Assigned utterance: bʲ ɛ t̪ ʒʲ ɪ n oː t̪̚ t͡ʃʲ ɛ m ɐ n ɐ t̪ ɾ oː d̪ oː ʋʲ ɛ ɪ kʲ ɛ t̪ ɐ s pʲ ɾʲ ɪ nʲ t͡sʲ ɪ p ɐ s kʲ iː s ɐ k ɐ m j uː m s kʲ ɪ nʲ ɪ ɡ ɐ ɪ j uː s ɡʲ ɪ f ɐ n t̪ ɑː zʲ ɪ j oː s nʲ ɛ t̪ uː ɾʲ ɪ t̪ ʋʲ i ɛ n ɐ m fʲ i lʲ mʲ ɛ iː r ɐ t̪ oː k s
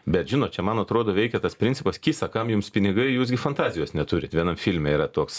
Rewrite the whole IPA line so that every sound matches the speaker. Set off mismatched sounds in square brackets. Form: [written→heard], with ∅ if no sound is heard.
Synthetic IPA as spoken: bʲ ɛ t̪ ʒʲ ɪ n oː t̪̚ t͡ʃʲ ɛ m ɐ n ɐ t̪ ɾ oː d̪ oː ʋʲ ɛ ɪ kʲ ɛ t̪ ɐ s pʲ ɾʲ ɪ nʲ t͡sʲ ɪ p ɐ s kʲ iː s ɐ k ɐ m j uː m s [kʲ→pʲ] ɪ nʲ ɪ ɡ ɐ ɪ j uː s ɡʲ ɪ f ɐ n t̪ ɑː zʲ ɪ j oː s nʲ ɛ t̪ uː ɾʲ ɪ t̪ ʋʲ i ɛ n ɐ m fʲ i lʲ mʲ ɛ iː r ɐ t̪ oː k s